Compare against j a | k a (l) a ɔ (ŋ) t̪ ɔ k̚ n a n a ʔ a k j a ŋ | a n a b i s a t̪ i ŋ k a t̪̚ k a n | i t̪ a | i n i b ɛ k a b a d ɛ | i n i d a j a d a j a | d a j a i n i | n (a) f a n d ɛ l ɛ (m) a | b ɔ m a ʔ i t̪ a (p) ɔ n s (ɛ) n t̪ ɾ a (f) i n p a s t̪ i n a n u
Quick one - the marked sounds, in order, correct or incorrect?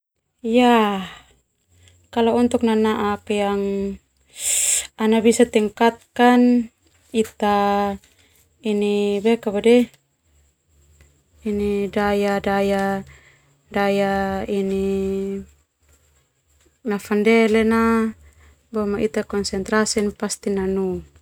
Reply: correct, incorrect: n, correct, incorrect: n, incorrect: k, correct, incorrect: s

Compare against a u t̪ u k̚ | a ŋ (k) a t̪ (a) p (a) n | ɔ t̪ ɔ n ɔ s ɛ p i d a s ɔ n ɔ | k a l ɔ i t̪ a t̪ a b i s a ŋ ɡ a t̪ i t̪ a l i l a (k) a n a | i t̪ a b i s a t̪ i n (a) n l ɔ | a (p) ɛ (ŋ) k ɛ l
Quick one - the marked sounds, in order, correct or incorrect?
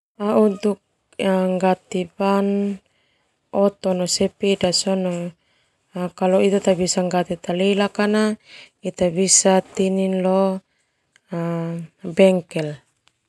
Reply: incorrect: ɡ, incorrect: i, correct, correct, incorrect: i, incorrect: b, correct

